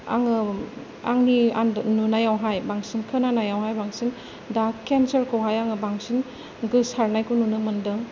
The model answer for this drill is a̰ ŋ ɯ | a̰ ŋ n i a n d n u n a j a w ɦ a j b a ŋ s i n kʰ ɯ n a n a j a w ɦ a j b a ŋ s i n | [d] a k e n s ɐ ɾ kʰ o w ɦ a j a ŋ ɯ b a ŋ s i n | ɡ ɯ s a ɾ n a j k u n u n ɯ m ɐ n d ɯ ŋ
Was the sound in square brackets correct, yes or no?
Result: yes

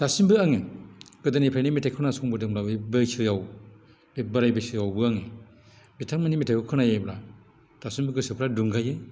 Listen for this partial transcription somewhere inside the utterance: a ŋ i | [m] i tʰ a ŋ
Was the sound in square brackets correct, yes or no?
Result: no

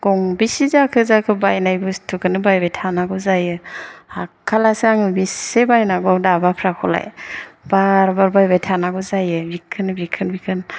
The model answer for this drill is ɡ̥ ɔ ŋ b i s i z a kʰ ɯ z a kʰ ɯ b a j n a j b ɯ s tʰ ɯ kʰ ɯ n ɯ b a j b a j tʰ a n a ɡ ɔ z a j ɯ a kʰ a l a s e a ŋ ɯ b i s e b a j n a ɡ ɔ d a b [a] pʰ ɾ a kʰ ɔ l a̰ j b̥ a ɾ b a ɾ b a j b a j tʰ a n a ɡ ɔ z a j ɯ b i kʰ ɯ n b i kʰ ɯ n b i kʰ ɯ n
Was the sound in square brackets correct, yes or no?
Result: yes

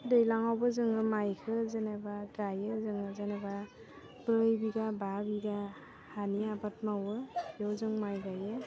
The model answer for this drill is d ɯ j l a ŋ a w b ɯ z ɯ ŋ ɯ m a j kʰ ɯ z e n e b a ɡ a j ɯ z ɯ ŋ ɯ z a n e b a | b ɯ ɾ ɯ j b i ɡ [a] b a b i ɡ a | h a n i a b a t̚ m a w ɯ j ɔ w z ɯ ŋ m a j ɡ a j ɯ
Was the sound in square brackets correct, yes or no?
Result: yes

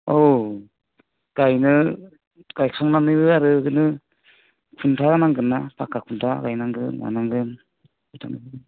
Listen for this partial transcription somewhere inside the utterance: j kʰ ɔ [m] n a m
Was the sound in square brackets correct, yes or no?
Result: no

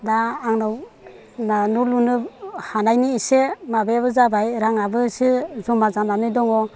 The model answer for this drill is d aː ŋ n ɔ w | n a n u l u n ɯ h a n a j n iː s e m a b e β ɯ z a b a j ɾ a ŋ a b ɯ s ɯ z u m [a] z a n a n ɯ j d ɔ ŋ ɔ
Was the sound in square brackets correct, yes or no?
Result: yes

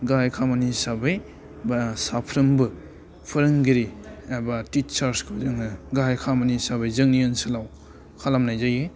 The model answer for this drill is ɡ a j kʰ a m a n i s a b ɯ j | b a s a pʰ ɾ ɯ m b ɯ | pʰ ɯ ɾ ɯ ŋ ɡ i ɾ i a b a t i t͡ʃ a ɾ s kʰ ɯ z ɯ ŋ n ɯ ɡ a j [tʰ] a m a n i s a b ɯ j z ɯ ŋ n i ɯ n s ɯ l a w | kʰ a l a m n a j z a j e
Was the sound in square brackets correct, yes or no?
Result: no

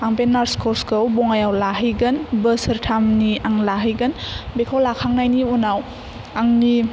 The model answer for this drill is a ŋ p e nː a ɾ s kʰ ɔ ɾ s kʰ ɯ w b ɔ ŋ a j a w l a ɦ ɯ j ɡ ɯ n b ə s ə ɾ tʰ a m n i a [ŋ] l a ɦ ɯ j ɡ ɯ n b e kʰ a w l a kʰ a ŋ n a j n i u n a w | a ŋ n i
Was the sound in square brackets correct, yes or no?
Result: yes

